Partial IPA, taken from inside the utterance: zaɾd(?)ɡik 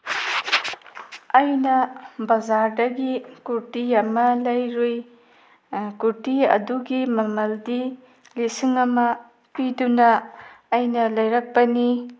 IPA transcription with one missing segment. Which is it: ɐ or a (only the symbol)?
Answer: ɐ